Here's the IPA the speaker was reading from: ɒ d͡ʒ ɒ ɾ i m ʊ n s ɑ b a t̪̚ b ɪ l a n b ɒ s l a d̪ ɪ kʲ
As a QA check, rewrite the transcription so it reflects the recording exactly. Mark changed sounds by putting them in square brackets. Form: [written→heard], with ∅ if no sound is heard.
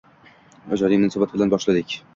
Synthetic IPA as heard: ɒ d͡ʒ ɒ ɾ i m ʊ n s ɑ b a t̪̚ b ɪ l a n b ɒ [s→ʃ] l a d̪ ɪ kʲ

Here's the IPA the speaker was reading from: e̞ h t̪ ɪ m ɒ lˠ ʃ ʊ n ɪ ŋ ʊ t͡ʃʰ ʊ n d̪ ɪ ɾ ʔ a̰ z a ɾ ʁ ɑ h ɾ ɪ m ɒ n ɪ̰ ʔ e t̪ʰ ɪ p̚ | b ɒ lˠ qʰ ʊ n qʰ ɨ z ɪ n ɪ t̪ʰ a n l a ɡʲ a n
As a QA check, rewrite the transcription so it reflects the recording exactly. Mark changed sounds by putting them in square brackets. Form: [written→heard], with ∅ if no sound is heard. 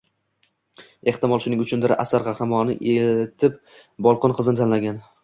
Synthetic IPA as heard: e̞ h t̪ ɪ m ɒ lˠ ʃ ʊ n ɪ ŋ ʊ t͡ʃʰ ʊ n d̪ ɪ ɾ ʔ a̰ [z→s] a ɾ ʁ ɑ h ɾ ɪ m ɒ n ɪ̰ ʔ e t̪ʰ ɪ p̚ | b ɒ lˠ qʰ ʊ n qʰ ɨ z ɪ n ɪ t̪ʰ a n l a ɡʲ a n

